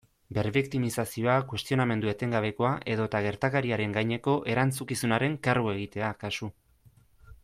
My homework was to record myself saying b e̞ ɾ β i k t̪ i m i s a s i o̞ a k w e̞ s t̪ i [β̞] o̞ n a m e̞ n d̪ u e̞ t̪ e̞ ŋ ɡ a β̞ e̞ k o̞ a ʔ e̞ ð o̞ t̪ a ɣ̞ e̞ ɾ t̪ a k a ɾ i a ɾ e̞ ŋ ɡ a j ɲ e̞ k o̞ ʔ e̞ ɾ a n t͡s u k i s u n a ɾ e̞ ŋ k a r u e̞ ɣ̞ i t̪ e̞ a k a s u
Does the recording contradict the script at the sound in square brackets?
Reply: yes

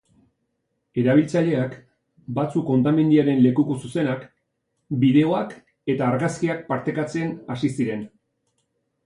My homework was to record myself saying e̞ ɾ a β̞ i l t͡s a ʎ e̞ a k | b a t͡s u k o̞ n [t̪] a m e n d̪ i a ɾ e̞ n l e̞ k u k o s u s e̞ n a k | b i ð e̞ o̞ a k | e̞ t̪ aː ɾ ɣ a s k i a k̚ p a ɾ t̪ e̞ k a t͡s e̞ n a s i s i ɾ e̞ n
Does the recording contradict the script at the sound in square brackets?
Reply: no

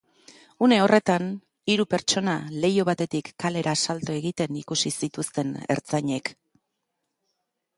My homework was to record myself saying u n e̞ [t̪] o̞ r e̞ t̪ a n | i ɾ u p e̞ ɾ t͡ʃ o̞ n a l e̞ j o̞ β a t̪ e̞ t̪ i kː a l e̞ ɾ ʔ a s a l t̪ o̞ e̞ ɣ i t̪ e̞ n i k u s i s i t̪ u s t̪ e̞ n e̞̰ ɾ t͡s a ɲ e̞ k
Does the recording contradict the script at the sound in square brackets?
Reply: yes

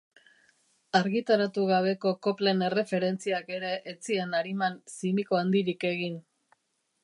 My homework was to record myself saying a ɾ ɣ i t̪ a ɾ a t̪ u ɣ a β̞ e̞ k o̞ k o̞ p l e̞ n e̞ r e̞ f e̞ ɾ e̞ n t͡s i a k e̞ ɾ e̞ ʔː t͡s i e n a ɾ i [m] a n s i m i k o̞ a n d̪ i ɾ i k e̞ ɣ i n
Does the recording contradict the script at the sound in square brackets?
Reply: no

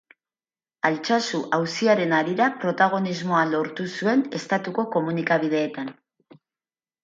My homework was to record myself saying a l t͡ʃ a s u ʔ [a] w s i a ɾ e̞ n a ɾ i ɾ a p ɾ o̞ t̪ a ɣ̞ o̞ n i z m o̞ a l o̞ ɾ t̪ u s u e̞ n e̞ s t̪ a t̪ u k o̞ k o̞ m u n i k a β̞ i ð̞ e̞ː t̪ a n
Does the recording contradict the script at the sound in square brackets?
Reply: no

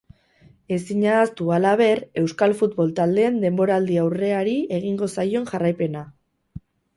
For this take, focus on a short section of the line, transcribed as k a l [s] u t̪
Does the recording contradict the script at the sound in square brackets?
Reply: yes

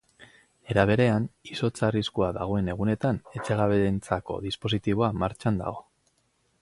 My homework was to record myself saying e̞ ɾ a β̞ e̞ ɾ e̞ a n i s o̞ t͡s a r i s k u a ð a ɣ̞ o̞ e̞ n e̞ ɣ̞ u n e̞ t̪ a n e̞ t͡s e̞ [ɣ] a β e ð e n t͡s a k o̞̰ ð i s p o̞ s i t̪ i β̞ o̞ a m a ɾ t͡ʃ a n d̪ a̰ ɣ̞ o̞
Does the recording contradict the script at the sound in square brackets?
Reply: no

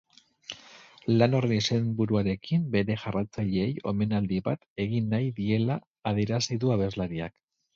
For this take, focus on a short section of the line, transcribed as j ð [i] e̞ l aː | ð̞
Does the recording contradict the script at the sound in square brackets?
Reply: no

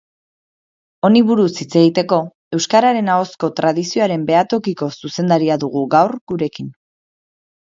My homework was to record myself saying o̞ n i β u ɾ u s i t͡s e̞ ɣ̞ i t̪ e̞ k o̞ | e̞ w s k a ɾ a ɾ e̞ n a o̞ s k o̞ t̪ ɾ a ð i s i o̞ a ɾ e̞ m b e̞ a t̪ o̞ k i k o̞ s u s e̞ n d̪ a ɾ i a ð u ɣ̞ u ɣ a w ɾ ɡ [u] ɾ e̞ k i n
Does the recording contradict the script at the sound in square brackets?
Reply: no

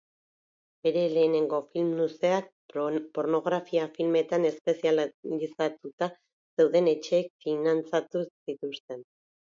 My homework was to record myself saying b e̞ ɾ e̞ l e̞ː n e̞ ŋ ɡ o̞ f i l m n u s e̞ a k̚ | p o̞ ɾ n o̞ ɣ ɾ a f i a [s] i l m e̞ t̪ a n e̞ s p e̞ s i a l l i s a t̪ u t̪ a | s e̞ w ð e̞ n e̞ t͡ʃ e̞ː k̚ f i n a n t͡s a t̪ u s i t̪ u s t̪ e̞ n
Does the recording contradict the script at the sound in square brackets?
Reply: yes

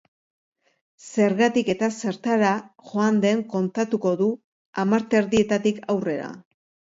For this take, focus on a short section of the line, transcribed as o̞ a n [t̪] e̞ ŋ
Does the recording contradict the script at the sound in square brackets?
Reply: yes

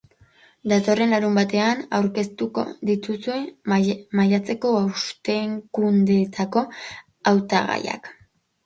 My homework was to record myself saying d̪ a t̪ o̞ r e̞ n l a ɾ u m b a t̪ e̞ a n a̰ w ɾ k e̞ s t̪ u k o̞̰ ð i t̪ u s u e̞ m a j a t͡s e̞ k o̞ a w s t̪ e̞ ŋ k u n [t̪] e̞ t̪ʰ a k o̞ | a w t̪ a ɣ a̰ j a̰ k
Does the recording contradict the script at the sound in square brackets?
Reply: yes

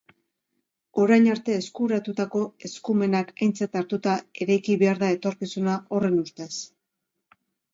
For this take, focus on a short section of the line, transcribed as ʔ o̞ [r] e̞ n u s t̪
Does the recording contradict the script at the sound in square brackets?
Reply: no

